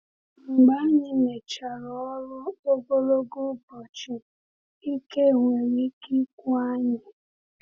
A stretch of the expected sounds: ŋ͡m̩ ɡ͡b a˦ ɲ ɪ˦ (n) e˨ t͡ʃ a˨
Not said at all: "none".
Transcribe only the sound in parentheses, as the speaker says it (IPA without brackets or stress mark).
n